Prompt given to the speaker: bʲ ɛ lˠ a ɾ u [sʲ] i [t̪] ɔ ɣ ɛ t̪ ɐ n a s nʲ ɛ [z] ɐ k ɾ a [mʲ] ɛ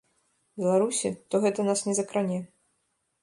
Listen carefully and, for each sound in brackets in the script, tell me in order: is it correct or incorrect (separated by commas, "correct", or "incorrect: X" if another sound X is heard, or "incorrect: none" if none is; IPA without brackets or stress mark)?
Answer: correct, correct, correct, incorrect: nʲ